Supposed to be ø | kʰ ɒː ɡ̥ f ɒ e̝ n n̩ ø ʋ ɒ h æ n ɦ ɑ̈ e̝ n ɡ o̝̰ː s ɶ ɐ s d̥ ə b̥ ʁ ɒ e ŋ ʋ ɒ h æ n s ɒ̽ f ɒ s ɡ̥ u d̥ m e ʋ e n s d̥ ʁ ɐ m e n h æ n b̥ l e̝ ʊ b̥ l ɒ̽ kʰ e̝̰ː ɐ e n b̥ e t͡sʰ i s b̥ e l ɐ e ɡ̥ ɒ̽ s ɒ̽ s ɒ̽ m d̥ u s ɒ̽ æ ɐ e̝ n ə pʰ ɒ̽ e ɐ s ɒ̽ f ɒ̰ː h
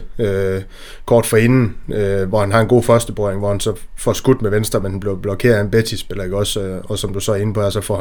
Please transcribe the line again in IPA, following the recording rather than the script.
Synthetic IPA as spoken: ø | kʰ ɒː d̥ f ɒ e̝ n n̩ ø ʋ ɒ h æ n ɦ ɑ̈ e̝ n ɡ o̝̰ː f ɶ ɐ s d̥ ə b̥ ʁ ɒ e ŋ ʋ ɒ h æ n s ɒ̽ f ɒ s ɡ̥ u d̥ m e ʋ e n s d̥ ʁ ɐ m e n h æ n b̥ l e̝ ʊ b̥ l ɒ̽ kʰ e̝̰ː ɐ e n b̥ e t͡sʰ i s b̥ e l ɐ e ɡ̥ ɒ̽ s ɒ̽ s ɒ̽ m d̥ u s ɒ̽ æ ɐ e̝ n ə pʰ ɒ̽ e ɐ s ɒ̽ f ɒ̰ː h